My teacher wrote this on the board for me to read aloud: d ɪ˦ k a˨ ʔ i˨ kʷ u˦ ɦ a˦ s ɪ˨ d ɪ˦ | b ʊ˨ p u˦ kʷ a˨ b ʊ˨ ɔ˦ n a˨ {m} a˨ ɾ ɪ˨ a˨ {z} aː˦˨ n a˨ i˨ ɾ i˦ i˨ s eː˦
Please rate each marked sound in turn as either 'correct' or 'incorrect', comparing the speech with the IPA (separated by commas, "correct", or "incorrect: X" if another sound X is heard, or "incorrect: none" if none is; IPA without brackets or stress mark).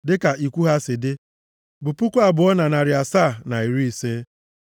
incorrect: n, incorrect: s